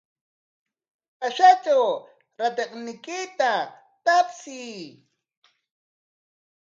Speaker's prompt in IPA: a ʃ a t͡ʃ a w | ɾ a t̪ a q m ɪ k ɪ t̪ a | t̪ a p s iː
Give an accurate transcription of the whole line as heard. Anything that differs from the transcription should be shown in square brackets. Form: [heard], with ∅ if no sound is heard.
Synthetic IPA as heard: a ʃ a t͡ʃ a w | ɾ a t̪ [e] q [n] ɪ k ɪ t̪ a | t̪ a p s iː